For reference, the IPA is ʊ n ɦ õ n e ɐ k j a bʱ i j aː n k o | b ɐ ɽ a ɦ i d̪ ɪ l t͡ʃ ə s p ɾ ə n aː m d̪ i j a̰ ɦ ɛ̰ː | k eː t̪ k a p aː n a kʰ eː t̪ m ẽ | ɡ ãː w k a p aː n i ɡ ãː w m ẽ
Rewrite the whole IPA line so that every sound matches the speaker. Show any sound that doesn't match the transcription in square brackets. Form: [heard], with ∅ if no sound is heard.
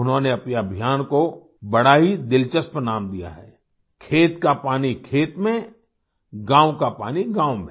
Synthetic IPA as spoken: ʊ n ɦ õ n e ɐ [p] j a bʱ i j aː n k o | b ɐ ɽ a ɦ i d̪ ɪ l t͡ʃ ə s p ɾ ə n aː m d̪ i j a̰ ɦ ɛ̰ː | [kʰ] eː t̪ k a p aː n [i] kʰ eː t̪ m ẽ | ɡ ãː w k a p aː n i ɡ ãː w m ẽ